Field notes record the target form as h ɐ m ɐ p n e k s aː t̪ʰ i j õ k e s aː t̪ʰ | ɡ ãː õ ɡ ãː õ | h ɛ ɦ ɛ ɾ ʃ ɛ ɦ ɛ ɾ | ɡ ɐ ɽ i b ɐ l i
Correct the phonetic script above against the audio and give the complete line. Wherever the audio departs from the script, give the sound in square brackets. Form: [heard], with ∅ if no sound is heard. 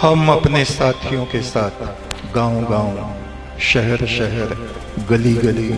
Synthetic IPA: h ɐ m ɐ p n e [∅] s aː t̪ʰ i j õ k e s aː t̪ʰ | ɡ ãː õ ɡ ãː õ | [ʃ] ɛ ɦ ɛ ɾ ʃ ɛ ɦ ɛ ɾ | ɡ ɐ [l] i [ɡ] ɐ l i

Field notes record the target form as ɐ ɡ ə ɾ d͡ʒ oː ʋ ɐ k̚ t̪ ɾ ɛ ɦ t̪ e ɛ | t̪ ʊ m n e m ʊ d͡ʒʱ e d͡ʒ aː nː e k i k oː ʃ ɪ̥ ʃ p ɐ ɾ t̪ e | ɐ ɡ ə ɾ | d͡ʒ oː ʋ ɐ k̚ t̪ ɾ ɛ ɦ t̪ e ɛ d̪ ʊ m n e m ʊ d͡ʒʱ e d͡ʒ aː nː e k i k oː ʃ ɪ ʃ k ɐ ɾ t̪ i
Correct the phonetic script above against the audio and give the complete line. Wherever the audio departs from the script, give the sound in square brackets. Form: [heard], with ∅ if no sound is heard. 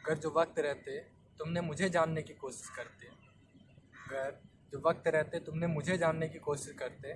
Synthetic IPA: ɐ ɡ ə ɾ d͡ʒ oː ʋ ɐ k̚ t̪ ɾ ɛ ɦ t̪ e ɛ | t̪ ʊ m n e m ʊ d͡ʒʱ e d͡ʒ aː nː e k i k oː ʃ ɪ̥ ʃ [k] ɐ ɾ t̪ e | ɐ ɡ ə ɾ | d͡ʒ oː ʋ ɐ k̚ t̪ ɾ ɛ ɦ t̪ e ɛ [t̪] ʊ m n e m ʊ d͡ʒʱ e d͡ʒ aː nː e k i k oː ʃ ɪ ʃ k ɐ ɾ t̪ [e]

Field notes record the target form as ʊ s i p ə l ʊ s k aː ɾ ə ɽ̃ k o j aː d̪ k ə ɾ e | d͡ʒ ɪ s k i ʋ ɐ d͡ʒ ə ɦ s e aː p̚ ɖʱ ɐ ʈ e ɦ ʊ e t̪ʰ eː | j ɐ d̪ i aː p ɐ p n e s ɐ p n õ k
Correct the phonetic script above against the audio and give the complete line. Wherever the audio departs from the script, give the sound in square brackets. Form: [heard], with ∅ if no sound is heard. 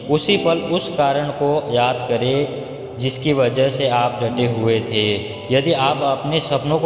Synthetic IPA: ʊ s i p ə l ʊ s k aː ɾ ə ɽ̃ k o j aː d̪ k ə ɾ e | d͡ʒ ɪ s k i ʋ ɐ d͡ʒ ə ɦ s e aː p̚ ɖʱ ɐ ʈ e ɦ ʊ e t̪ʰ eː | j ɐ d̪ i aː p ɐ p n e s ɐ p n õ k

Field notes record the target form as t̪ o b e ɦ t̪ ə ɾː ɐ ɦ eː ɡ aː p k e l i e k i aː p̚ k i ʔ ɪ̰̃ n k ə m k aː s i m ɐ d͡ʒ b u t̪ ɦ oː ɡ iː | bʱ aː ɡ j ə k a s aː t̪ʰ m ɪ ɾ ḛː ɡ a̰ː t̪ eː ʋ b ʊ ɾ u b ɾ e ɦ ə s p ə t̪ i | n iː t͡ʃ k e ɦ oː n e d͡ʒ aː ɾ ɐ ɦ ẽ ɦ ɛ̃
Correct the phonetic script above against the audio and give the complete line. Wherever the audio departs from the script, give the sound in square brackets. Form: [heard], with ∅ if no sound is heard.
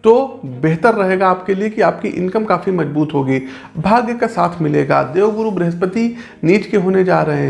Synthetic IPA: t̪ o b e ɦ t̪ ə ɾː ɐ ɦ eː ɡ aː p k e l i e k i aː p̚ k i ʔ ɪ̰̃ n k ə m k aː [f] i m ɐ d͡ʒ b [uː] t̪ ɦ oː ɡ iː | bʱ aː ɡ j ə k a s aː t̪ʰ m ɪ [l] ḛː ɡ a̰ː [d̪] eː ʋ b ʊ ɾ u b ɾ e ɦ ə s p ə t̪ i | n iː t͡ʃ k e ɦ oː n e d͡ʒ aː ɾ ɐ ɦ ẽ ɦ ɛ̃

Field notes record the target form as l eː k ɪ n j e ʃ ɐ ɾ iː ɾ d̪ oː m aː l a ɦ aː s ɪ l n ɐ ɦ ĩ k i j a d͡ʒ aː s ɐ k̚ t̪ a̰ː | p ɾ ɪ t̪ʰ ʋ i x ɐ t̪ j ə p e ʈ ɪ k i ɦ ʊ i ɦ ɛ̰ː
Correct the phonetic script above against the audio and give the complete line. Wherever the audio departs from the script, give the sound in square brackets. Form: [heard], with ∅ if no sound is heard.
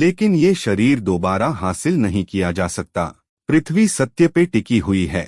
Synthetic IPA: l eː k ɪ n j e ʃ ɐ ɾ iː ɾ d̪ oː [b] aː [ɾ] a ɦ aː s ɪ l n ɐ ɦ ĩ k i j a d͡ʒ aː s ɐ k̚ t̪ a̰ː | p ɾ ɪ t̪ʰ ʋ i [s] ɐ t̪ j ə p e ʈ ɪ k i ɦ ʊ i ɦ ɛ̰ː

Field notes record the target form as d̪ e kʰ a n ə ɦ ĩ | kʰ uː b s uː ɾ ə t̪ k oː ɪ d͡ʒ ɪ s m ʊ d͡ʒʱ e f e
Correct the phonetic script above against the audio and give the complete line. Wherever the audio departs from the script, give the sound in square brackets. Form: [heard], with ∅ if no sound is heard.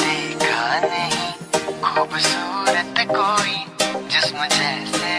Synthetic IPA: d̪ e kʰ a n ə ɦ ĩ | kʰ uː b s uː ɾ ə t̪ k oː [i] d͡ʒ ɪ s m ʊ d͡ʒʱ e [s] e

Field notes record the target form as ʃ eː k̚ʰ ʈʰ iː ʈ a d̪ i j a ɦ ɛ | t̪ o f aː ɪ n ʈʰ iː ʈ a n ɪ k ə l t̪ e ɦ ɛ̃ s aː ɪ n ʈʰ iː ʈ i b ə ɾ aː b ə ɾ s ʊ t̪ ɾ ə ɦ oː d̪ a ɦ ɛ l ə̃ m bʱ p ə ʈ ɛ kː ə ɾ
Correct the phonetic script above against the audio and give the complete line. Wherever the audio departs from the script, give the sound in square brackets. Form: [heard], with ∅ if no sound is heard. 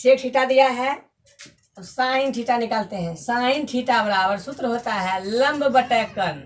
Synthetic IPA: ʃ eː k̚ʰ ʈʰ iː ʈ a d̪ i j a ɦ ɛ | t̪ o [s] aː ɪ n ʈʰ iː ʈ a n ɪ k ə l t̪ e ɦ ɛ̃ s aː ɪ n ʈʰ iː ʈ [a] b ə ɾ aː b ə ɾ s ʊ t̪ ɾ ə ɦ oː [t̪] a ɦ ɛ l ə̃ m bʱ [b] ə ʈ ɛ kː ə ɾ

